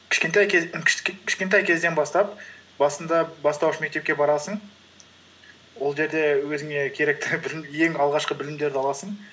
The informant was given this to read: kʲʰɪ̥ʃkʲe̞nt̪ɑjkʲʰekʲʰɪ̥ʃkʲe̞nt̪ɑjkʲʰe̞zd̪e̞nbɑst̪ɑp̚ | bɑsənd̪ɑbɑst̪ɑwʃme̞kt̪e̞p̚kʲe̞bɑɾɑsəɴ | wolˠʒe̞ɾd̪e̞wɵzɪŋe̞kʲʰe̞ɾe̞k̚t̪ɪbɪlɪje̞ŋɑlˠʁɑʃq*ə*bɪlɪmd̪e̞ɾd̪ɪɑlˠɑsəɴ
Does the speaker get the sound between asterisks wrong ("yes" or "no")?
no